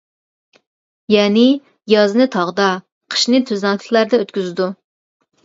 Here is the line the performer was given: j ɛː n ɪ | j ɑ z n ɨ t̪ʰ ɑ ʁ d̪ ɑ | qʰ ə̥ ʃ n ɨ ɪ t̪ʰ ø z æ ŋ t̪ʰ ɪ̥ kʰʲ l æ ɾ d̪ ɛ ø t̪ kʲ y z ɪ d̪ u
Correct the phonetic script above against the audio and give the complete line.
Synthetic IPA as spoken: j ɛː n ɪ | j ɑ z n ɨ t̪ʰ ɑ ʁ d̪ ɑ | qʰ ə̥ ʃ n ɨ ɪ t̪ʰ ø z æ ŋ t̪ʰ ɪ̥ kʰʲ l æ ɾ d̪ ɛ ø t̪ kʲ y z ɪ d̪ u